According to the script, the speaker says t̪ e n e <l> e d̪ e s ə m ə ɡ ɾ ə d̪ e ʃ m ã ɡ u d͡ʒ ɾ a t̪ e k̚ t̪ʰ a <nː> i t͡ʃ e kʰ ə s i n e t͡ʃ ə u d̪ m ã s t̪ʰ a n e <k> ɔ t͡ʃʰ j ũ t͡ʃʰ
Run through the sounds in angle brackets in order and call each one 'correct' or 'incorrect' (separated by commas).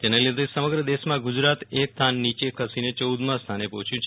correct, correct, incorrect